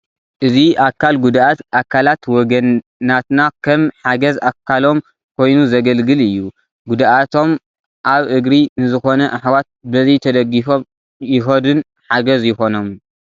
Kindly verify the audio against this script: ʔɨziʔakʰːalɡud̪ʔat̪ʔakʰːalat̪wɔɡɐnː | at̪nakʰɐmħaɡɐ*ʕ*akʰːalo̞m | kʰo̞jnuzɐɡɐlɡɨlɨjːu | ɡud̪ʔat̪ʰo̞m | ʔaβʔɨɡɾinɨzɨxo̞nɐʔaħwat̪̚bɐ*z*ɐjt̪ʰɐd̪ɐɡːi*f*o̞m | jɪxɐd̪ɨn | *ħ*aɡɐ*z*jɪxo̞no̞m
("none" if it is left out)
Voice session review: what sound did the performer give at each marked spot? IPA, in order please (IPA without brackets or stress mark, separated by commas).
z, z, f, ħ, z